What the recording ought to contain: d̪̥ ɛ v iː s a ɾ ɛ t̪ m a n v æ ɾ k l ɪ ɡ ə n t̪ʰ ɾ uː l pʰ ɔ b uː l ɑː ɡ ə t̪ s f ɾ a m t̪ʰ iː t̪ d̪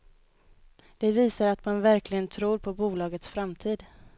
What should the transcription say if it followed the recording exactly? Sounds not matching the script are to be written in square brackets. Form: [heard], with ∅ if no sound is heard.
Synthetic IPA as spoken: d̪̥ ɛ v iː s a ɾ [a] t̪ m a n v æ ɾ k l ɪ ɡ ə n t̪ʰ ɾ uː [ɾ] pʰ ɔ b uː l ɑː ɡ ə t̪ s f ɾ a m t̪ʰ iː [∅] d̪